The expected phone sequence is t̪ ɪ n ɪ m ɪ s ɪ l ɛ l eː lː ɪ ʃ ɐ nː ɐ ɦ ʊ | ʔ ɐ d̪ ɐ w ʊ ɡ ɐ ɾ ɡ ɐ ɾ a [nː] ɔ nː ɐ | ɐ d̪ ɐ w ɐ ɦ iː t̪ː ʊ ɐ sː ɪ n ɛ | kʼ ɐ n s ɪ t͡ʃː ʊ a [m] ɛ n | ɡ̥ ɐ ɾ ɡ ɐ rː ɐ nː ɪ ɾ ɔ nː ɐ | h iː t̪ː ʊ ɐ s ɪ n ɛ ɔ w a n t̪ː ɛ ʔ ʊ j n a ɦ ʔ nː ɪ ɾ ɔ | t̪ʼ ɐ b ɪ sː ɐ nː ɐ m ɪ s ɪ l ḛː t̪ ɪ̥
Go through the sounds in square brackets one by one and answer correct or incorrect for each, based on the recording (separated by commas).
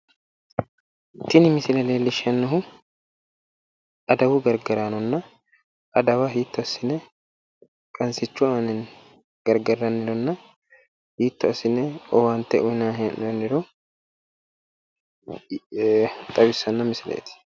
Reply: incorrect, incorrect